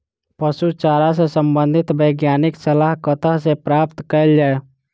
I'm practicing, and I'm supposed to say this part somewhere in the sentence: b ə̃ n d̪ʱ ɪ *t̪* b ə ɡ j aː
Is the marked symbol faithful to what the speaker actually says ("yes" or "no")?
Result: yes